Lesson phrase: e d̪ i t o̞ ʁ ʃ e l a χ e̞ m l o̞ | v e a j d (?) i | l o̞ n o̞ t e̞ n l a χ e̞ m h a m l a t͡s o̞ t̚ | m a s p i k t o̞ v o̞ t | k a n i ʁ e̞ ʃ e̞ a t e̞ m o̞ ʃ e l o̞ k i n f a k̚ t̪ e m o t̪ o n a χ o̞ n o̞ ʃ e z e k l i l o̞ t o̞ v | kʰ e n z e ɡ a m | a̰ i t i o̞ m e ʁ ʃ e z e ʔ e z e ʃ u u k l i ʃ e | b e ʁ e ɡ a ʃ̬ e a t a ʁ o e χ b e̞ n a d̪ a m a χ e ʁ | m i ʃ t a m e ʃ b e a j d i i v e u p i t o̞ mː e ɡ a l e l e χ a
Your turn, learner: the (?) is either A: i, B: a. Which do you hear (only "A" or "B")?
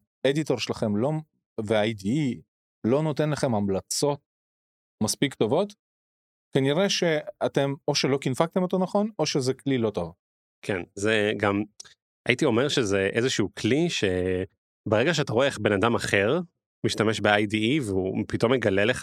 A